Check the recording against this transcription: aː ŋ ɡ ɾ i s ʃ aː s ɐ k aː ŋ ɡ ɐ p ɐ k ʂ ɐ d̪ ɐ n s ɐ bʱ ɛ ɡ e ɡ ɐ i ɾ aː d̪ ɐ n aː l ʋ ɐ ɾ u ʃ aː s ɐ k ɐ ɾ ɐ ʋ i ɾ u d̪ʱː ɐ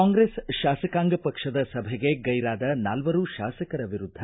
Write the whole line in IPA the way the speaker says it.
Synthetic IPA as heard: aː ŋ ɡ ɾ e s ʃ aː s ɐ k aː ŋ ɡ ɐ p ɐ k ʂ ɐ d̪ ɐ s ɐ bʱ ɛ ɡ e ɡ ɐ j ɾ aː d̪ ɐ n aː l ʋ ɐ ɾ u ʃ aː s ɐ k ɐ ɾ ɐ ʋ i ɾ u d̪ʱː ɐ

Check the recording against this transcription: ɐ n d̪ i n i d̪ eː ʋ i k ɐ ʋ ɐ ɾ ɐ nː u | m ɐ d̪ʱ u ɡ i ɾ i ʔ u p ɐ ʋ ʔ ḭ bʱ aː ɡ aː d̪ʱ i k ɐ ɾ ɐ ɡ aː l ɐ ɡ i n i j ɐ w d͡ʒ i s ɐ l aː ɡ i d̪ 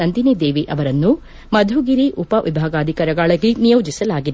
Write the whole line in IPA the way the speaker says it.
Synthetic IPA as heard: ɐ n d̪ i n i d̪ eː ʋ i ʔ ɐ ʋ ɐ ɾ ɐ nː u | m ɐ d̪ʱ u ɡ i ɾ i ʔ u p ɐ ʋ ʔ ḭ bʱ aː ɡ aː d̪ʱ i k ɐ ɾ ɐ ɡ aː ɭ ɐ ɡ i n i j ɐ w d͡ʒ i s ɐ l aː ɡ i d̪

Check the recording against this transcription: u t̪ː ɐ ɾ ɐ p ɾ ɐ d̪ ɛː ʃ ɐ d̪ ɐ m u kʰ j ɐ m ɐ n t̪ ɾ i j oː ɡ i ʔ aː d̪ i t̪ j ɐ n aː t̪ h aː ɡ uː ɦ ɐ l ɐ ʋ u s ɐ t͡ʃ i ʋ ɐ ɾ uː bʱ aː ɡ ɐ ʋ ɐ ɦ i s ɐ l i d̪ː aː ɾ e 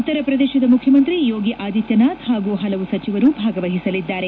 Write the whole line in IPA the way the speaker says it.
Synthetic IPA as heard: u t̪ː ɐ ɾ ɐ p ɾ ɐ d̪ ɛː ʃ ɐ d̪ ɐ m u kʰ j ɐ m ɐ n t̪ ɾ i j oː ɡ i ʔ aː d̪ i t̪ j ɐ n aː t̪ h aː ɡ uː ɦ ɐ l ɐ ʋ u s ɐ t͡ʃ i ʋ ɐ ɾ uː bʱ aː ɡ ɐ ʋ ɐ ɦ i s ɐ l i d̪ː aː ɾ e

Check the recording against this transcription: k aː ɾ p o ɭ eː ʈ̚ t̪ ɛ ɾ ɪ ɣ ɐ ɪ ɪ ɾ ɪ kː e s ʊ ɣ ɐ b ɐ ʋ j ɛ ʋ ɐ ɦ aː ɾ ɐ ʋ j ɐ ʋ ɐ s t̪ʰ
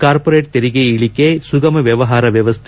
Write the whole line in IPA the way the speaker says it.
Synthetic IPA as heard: k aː ɾ p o ɾ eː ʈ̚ t̪ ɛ ɾ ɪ ɣ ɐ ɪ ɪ ɭ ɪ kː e s ʊ ɣ ɐ m ɐ ʋ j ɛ ʋ ɐ ɦ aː ɾ ɐ ʋ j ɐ ʋ ɐ s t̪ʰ

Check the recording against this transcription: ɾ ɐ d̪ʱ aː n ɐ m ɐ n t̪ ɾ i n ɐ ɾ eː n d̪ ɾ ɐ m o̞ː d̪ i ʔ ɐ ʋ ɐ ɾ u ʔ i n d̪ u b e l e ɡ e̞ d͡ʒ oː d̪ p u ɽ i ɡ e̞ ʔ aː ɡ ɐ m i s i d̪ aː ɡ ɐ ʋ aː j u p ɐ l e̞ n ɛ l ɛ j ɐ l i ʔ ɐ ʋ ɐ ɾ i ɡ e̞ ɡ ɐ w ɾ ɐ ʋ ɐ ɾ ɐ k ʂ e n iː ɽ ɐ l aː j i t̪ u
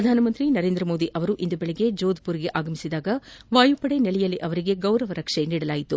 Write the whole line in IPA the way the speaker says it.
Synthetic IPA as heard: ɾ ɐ d̪ʱ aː n ɐ m ɐ n t̪ ɾ i n ɐ ɾ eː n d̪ ɾ ɐ m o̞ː d̪ i ʔ ɐ ʋ ɐ ɾ u ʔ i n d̪ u b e ɭ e ɡ e̞ d͡ʒ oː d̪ p u ɾ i ɡ e̞ ʔ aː ɡ ɐ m i s i d̪ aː ɡ ɐ ʋ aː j u p ɐ ɽ e̞ n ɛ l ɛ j ɐ l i ʔ ɐ ʋ ɐ ɾ i ɡ e̞ ɡ ɐ w ɾ ɐ ʋ ɐ ɾ ɐ k ʂ e n iː ɽ ɐ l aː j i t̪ u

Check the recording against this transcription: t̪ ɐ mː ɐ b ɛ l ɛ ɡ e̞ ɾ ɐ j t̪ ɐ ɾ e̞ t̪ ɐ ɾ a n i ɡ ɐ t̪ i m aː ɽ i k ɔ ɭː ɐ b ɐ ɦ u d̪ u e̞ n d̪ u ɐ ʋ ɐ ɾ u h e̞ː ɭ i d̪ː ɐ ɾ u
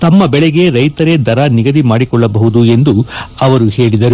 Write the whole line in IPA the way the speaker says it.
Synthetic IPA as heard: t̪ ɐ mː ɐ b ɛ ɭ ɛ ɡ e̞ ɾ ɐ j t̪ ɐ ɾ e̞ d̪ ɐ ɾ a n i ɡ ɐ d̪ i m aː ɽ i k ɔ ɭː ɐ b ɐ ɦ u d̪ u e̞ n d̪ u ɐ ʋ ɐ ɾ u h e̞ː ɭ i d̪ ɐ ɾ u

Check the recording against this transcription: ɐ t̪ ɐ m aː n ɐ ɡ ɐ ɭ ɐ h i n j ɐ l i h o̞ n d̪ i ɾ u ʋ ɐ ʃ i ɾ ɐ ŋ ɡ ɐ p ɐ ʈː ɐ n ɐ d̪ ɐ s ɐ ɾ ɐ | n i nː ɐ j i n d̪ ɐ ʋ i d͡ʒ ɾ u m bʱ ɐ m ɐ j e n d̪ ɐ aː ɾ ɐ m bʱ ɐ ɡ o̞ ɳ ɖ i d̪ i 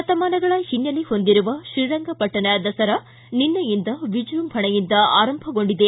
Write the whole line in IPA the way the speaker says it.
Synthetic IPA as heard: ɐ t̪ ɐ m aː n ɐ ɡ ɐ ɭ ɐ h i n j ɐ l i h o̞ n d̪ i ɾ u ʋ ɐ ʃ i ɾ ɐ ŋ ɡ ɐ p ɐ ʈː ɐ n ɐ d̪ ɐ s ɐ ɾ ɐ | n i nː ɐ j i n d̪ ɐ ʋ i d͡ʒ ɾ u m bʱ ɐ ɳ ɐ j i n d̪ ɐ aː ɾ ɐ m bʱ ɐ ɡ o̞ ɳ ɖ i d̪ e

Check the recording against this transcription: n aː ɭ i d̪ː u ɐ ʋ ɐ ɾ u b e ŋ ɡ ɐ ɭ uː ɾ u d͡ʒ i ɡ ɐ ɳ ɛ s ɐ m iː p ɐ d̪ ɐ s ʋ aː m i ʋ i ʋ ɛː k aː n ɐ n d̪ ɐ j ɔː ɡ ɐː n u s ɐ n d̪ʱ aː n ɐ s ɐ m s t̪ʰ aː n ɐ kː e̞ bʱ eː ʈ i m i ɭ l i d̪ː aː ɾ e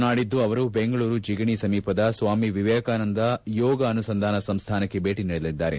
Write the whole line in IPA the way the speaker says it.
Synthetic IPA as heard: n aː ɽ i d̪ː u ɐ ʋ ɐ ɾ u b e ŋ ɡ ɐ ɭ uː ɾ u d͡ʒ i ɡ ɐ ɳ i s ɐ m iː p ɐ d̪ ɐ s ʋ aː m i ʋ i ʋ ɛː k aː n ɐ n d̪ ɐ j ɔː ɡ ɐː n u s ɐ n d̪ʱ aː n ɐ s ɐ m s t̪ʰ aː n ɐ kː e̞ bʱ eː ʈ i n i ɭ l i d̪ː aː ɾ e

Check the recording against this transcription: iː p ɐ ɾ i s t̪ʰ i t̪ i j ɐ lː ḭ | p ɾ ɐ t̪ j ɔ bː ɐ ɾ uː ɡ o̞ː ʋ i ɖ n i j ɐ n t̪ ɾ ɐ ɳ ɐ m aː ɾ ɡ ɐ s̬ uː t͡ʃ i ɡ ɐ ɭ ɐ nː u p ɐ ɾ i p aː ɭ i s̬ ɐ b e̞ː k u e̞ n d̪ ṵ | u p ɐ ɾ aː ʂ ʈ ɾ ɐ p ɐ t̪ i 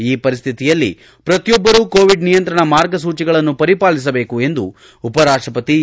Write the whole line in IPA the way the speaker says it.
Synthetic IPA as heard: iː p ɐ ɾ i s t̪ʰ i t̪ i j ɐ lː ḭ | p ɾ ɐ t̪ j ɔ bː ɐ ɾ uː k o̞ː ʋ i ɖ n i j ɐ n t̪ ɾ ɐ ɳ ɐ m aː ɾ ɡ ɐ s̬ uː t͡ʃ i ɡ ɐ ɭ ɐ nː u p ɐ ɾ i p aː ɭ i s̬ ɐ b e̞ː k u e̞ n d̪ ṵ | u p ɐ ɾ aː ʂ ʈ ɾ ɐ p ɐ t̪ i

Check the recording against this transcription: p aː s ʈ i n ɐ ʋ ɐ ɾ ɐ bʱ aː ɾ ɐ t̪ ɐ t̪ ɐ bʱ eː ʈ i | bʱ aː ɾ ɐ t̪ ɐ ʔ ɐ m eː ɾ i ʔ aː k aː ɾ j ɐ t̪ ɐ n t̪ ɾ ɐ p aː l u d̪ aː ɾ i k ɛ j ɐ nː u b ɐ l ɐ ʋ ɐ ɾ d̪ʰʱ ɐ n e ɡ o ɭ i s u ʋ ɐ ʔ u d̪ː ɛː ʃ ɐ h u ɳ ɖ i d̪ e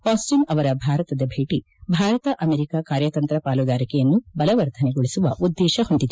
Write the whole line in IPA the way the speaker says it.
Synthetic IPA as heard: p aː s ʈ i n ɐ ʋ ɐ ɾ ɐ bʱ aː ɾ ɐ t̪ ɐ d̪ ɐ bʱ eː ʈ i | bʱ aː ɾ ɐ t̪ ɐ ʔ ɐ m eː ɾ i k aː k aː ɾ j ɐ t̪ ɐ n t̪ ɾ ɐ p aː l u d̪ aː ɾ i k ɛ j ɐ nː u b ɐ l ɐ ʋ ɐ ɾ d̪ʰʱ ɐ n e ɡ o ɭ i s u ʋ ɐ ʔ u d̪ː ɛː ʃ ɐ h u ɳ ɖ i d̪ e

